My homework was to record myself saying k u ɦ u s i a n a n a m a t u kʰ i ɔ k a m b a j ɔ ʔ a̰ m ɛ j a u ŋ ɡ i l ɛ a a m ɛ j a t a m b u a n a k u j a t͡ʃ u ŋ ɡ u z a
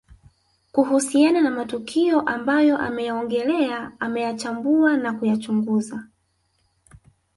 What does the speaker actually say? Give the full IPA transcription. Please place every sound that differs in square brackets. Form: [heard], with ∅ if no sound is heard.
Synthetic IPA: k u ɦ u s i a n a n a m a t u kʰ i ɔ [ʔ] a m b a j ɔ ʔ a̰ m ɛ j a [ɔ] ŋ ɡ [ɛ] l ɛ a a m ɛ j a [t͡ʃ] a m b u a n a k u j a t͡ʃ u ŋ ɡ u z a